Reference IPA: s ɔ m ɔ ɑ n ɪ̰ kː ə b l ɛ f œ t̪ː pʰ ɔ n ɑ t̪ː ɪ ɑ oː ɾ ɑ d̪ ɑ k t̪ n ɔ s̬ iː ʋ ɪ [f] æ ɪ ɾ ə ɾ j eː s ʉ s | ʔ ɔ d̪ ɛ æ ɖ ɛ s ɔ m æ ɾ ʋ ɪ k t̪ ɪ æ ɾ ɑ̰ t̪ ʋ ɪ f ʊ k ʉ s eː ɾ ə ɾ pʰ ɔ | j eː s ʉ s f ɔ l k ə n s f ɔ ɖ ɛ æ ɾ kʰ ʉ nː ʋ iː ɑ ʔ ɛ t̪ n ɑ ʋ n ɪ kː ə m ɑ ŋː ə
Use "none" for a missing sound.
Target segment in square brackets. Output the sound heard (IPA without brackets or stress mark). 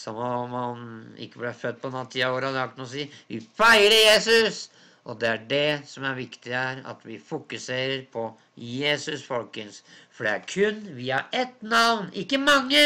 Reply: f